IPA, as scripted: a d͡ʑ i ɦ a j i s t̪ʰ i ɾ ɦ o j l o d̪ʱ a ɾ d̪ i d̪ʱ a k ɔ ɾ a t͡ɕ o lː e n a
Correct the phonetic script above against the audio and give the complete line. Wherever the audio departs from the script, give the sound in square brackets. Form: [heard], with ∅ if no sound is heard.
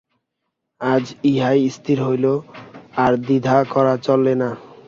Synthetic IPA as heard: a d͡ʑ i ɦ a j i s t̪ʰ i ɾ ɦ o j l o [∅] a ɾ d̪ i d̪ʱ a k ɔ ɾ a t͡ɕ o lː e n a

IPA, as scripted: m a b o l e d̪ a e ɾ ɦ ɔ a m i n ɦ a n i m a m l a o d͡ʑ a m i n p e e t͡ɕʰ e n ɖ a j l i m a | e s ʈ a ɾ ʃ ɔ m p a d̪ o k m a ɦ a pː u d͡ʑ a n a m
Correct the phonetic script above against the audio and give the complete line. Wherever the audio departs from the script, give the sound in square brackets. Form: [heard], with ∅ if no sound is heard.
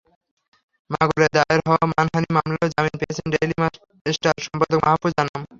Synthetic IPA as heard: m a [ɡ] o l e d̪ a e ɾ ɦ ɔ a m [a] n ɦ a n i m a m l a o d͡ʑ a m i n p e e t͡ɕʰ e n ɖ [e] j l i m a | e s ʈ a ɾ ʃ ɔ m p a d̪ o k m a ɦ a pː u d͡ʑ a n a m

